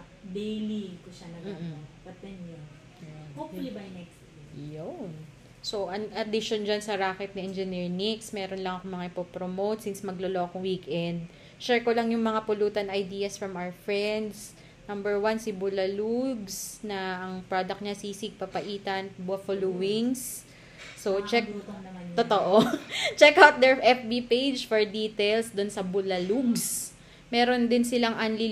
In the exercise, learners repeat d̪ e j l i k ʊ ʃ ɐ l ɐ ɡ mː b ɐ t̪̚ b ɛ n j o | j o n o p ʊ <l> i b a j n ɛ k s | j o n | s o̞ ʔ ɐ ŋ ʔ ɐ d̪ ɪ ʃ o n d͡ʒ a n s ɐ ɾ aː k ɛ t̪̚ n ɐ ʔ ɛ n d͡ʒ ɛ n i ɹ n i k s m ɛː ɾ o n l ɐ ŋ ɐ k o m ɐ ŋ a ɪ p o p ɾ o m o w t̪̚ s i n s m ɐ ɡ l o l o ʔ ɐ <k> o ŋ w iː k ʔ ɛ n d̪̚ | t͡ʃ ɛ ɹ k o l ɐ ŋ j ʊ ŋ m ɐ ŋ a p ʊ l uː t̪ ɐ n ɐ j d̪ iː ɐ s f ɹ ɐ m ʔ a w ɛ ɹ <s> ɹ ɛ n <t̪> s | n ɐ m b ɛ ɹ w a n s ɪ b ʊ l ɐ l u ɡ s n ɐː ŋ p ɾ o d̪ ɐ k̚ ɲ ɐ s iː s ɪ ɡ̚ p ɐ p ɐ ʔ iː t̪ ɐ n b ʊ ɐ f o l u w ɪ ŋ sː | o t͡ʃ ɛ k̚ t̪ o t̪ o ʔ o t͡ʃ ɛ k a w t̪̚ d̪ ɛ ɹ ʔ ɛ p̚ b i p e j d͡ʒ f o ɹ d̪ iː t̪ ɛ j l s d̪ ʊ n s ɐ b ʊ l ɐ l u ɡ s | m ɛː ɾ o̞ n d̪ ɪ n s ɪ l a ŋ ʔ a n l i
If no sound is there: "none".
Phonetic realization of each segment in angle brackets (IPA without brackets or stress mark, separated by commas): l, k, f, d̪